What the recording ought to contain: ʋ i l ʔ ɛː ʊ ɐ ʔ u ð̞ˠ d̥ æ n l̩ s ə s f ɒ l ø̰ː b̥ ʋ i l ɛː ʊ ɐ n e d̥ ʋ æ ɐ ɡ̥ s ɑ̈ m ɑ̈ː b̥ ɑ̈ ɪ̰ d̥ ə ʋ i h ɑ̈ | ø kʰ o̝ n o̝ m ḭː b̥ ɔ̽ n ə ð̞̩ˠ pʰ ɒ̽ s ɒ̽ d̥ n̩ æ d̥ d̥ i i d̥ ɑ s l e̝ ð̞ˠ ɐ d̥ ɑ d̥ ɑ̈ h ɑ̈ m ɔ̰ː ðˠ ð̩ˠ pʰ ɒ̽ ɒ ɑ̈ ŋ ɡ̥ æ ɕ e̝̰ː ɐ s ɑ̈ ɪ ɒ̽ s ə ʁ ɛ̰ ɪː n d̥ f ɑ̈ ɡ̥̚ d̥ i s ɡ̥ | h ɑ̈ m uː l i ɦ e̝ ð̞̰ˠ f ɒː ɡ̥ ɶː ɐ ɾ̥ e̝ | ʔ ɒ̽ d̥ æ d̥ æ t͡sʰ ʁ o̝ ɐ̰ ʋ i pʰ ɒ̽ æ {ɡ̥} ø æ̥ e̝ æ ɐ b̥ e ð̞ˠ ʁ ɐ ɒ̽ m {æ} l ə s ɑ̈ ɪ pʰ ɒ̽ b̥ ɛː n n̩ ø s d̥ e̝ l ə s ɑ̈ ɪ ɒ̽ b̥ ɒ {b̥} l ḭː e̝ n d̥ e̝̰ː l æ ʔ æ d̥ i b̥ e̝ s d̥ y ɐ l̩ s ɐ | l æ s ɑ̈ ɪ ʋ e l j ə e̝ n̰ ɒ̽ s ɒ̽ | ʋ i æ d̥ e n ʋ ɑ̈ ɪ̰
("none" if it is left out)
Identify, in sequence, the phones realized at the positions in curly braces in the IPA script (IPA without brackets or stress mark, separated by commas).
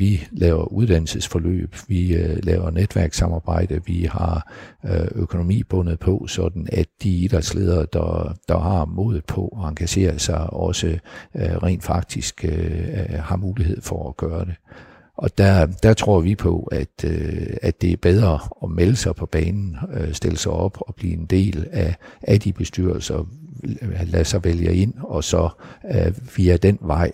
d̥, e, b̥